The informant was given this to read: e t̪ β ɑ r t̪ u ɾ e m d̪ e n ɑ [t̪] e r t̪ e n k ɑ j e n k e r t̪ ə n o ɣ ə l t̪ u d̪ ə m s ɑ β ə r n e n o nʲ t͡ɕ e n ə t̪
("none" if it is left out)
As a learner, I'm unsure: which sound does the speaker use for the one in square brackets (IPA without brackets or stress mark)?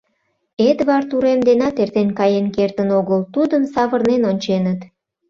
t̪